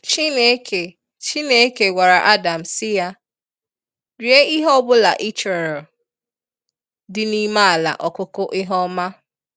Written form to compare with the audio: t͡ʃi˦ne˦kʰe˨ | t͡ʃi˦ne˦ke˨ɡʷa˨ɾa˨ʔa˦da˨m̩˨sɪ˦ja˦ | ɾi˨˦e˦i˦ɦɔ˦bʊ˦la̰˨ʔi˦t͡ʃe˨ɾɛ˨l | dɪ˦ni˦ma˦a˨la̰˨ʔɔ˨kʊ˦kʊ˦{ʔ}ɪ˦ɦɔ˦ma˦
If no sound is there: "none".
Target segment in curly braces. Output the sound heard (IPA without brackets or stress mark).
ʔ